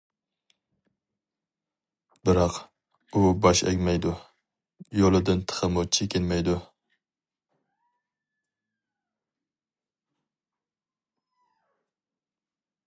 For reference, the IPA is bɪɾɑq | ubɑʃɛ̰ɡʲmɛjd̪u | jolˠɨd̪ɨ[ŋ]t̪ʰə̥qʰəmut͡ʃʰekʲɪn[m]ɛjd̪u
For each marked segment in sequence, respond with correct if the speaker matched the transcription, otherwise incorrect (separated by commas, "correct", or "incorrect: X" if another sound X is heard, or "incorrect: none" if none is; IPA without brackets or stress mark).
incorrect: n, correct